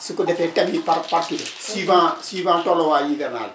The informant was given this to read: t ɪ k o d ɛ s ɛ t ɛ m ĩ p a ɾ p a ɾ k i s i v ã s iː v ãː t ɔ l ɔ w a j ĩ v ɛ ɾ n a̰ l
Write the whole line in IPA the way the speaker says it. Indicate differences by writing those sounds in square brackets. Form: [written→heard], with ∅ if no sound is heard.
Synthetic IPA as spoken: [t→s] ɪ k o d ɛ [s→f] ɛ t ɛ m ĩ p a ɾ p a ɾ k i s i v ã s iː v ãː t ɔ l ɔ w a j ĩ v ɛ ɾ n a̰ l